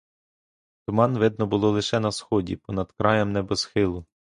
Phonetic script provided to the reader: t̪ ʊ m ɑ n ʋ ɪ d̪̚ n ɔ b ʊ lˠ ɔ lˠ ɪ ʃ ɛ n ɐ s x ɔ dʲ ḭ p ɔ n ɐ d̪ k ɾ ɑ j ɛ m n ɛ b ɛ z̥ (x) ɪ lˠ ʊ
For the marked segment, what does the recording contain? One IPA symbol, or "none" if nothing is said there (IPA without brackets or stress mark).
x